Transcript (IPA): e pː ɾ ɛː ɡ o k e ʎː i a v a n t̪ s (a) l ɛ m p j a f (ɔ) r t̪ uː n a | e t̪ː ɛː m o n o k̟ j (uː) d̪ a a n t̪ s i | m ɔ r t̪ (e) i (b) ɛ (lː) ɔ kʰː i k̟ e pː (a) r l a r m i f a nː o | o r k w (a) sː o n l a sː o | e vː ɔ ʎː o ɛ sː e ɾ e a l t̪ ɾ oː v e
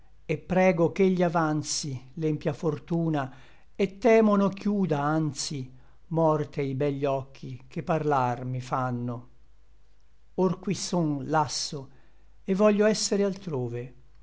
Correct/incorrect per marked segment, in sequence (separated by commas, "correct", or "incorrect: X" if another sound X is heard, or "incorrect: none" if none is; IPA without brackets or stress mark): incorrect: i, incorrect: o, correct, correct, correct, incorrect: ʎː, correct, incorrect: i